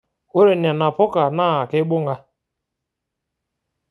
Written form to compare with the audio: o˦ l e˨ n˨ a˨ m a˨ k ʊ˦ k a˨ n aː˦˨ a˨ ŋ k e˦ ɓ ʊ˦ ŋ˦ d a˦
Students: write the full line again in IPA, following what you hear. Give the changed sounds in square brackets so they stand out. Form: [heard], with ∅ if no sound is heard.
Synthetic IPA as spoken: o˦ [ɾ] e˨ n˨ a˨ [n] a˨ [p] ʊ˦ k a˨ n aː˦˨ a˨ [∅] k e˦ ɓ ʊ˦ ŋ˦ [ɡ] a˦